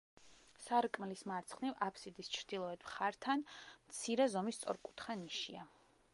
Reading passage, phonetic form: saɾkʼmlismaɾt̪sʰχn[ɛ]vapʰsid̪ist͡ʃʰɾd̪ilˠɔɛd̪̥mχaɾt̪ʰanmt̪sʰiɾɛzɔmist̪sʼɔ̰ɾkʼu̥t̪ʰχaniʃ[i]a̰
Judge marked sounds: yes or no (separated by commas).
no, yes